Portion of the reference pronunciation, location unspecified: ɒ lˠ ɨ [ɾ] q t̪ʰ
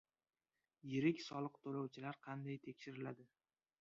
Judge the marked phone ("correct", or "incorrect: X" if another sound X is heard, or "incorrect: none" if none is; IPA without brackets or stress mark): incorrect: none